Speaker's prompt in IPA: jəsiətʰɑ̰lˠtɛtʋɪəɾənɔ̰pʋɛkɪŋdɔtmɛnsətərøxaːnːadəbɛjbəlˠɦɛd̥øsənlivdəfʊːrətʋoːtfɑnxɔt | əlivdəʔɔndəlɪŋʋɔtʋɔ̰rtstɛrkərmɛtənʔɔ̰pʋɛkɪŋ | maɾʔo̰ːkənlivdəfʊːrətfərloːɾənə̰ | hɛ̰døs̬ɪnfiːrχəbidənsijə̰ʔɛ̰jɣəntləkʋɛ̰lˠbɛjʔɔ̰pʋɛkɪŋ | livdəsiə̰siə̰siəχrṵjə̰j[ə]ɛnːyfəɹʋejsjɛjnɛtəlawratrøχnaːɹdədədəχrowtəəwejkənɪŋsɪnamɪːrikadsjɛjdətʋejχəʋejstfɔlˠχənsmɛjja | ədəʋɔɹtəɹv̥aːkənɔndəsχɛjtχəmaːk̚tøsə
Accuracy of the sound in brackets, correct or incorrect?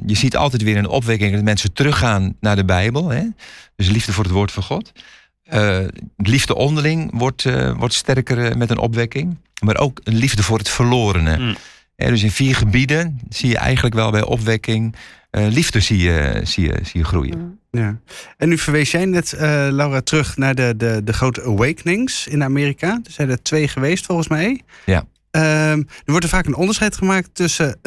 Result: incorrect